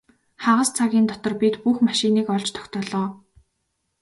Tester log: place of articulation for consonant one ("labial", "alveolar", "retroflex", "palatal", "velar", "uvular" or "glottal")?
uvular